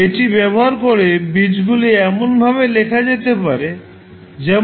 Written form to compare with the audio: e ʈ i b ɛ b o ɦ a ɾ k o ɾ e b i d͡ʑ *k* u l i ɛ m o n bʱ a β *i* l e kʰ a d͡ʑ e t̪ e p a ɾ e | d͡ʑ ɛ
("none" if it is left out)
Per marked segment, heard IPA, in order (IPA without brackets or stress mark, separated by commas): ɡ, e